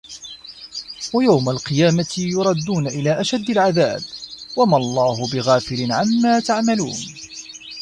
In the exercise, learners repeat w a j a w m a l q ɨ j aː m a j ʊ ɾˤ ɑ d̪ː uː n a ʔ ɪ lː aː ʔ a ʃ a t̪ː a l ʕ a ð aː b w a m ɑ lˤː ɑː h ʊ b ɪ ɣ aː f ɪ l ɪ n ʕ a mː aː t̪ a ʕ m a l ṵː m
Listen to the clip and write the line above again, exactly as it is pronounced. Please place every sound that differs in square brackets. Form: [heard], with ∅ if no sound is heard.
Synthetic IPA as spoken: w a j a w m a l q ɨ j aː m a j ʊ ɾˤ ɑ d̪ː uː n a ʔ ɪ [l] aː ʔ a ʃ a [d̪ː] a l ʕ a ð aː b w a m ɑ lˤː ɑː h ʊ b ɪ ɣ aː f ɪ l ɪ n ʕ a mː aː t̪ a ʕ m a l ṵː [n]

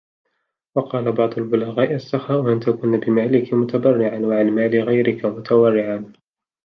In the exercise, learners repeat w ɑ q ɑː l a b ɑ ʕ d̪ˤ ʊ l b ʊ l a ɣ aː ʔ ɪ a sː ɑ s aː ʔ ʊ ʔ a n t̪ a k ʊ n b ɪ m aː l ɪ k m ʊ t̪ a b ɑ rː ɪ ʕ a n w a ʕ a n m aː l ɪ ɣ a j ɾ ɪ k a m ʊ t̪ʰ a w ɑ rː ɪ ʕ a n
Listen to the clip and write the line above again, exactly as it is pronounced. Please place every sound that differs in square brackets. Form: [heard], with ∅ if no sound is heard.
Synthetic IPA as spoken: w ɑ q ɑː l a b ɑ ʕ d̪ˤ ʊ l b ʊ l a ɣ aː ʔ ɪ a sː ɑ [x] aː ʔ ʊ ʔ a n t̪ a k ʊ n b ɪ m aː l ɪ k m ʊ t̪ a b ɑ rː ɪ ʕ a n w a ʕ a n m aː l ɪ ɣ a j ɾ ɪ k a m ʊ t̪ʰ a w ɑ rː ɪ ʕ a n

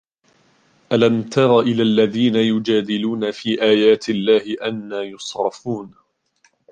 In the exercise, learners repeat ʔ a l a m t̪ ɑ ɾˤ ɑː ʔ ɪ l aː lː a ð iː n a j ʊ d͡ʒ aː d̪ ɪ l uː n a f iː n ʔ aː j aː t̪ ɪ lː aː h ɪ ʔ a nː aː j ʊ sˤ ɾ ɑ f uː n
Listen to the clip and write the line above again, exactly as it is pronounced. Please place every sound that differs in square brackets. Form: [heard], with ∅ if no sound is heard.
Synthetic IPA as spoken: ʔ a l a m t̪ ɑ ɾˤ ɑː ʔ ɪ l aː lː a ð iː n a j ʊ d͡ʒ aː d̪ ɪ l uː n a f iː [∅] ʔ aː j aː t̪ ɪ lː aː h ɪ ʔ a nː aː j ʊ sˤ ɾ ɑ f uː n

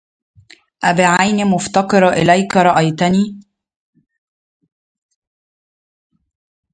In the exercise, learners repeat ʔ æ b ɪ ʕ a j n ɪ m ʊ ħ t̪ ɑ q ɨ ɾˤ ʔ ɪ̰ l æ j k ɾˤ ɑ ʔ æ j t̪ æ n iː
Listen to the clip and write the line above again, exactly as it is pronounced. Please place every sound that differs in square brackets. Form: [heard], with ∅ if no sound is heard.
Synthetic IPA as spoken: ʔ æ b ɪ ʕ a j n [i] m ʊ [f] t̪ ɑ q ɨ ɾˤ ʔ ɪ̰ l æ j k ɾˤ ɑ ʔ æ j t̪ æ n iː

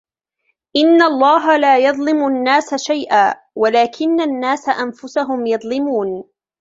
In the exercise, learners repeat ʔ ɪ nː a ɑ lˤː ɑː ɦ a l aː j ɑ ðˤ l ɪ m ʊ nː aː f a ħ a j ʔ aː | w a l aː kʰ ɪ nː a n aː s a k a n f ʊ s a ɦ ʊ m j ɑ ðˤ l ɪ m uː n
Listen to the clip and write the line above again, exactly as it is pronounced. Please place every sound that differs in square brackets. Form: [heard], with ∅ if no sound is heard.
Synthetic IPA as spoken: ʔ ɪ nː a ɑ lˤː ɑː ɦ a l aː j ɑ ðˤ l ɪ m ʊ nː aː [s] a [ʃ] a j ʔ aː | w a l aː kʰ ɪ nː a [nː] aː s a [ʔ] a n f ʊ s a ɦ ʊ m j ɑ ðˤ l ɪ m uː n

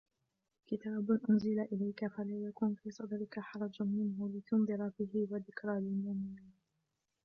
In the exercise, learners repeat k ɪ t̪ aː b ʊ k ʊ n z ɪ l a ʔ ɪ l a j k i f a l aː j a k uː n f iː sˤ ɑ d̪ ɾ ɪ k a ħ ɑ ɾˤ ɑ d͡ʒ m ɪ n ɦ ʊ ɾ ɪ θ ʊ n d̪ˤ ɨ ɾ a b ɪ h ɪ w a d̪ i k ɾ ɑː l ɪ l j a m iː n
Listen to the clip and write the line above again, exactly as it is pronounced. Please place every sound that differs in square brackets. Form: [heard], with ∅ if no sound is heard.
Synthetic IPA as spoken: k ɪ t̪ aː b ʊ [ʔ] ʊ n z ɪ l a ʔ ɪ l a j k [a] f a l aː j a k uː n f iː sˤ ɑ d̪ ɾ ɪ k a ħ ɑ ɾˤ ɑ d͡ʒ m ɪ n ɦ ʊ [l] ɪ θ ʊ n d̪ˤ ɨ ɾ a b ɪ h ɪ w a d̪ [ɪ] k ɾ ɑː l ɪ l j a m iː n

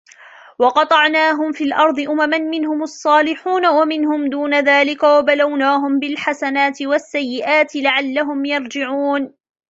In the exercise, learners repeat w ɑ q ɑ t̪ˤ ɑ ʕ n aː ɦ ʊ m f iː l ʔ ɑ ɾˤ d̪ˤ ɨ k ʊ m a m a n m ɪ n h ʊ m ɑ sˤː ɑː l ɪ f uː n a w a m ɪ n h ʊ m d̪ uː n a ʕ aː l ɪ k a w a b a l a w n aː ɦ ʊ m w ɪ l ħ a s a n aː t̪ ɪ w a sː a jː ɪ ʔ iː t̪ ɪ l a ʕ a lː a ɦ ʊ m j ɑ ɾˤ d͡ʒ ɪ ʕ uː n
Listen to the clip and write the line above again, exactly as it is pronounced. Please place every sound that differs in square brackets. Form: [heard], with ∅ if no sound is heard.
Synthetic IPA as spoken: w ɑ q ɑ t̪ˤ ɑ ʕ n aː ɦ ʊ m f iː l ʔ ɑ ɾˤ d̪ˤ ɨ [ʔ] ʊ m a m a n m ɪ n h ʊ m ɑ sˤː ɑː l ɪ [ħ] uː n a w a m ɪ n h ʊ m d̪ uː n a [ð] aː l ɪ k a w a b a l a w n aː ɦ ʊ m [b] ɪ l ħ a s a n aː t̪ ɪ w a sː a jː ɪ ʔ [aː] t̪ ɪ l a ʕ a lː a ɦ ʊ m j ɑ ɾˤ d͡ʒ ɪ ʕ uː n

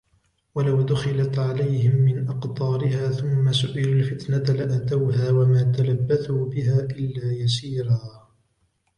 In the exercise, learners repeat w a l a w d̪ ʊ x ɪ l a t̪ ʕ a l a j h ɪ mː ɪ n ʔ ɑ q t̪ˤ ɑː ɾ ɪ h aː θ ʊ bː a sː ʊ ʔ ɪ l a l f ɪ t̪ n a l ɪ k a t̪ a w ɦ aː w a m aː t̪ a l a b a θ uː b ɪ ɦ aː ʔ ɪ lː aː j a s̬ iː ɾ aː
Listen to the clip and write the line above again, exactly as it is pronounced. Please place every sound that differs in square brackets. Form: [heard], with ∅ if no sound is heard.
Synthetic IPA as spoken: w a l a w d̪ ʊ x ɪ l a t̪ ʕ a l a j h ɪ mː ɪ n ʔ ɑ q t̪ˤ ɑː ɾ ɪ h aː θ ʊ [mː] a [s] ʊ ʔ ɪ l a l f ɪ t̪ n a l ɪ [ʔ] a t̪ a w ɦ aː w a m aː t̪ a l a [bː] a θ uː b ɪ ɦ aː ʔ ɪ lː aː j a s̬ iː ɾ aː

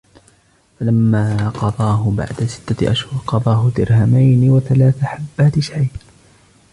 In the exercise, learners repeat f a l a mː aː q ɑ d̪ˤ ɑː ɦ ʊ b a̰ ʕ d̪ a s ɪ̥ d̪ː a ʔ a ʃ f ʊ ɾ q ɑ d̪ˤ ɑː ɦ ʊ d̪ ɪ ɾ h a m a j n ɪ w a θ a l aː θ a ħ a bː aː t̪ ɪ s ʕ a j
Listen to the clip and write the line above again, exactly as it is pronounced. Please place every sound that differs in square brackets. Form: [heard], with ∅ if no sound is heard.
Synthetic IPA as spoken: f a l a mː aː q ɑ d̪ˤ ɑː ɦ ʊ b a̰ ʕ d̪ a s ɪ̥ [t̪ː] a ʔ a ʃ [h] ʊ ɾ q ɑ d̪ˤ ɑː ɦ ʊ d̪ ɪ ɾ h a m a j n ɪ w a θ a l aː θ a ħ a bː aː t̪ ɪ [ʃ] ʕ a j

